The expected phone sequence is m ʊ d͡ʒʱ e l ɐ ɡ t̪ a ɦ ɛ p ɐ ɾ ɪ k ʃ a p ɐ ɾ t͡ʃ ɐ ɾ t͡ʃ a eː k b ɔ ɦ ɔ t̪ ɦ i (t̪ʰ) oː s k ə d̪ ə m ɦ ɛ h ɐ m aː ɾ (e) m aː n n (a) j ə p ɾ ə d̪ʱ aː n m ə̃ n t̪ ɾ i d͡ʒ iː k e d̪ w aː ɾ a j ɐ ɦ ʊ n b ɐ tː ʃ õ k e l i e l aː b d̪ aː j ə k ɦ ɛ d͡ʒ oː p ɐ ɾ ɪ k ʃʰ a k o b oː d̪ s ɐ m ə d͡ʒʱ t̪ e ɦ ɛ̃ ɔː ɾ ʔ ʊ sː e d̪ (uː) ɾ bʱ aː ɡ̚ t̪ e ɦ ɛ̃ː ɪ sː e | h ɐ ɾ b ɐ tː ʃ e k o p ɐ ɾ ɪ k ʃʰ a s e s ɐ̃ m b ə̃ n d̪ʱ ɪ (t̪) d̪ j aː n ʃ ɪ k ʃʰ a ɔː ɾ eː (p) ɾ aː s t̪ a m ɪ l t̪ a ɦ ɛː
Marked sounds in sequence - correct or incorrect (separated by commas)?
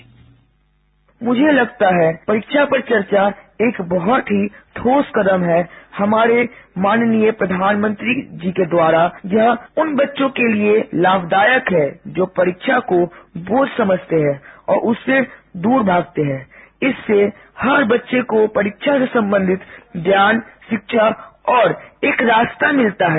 correct, correct, incorrect, correct, correct, incorrect